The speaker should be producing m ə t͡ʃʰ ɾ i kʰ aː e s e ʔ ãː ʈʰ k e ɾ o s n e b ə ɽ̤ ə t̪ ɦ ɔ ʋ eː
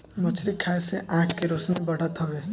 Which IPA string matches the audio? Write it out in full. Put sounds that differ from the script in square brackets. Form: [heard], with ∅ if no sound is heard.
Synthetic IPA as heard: m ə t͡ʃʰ ɾ i kʰ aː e s e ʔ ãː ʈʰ k e ɾ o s n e b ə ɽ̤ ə t̪ ɦ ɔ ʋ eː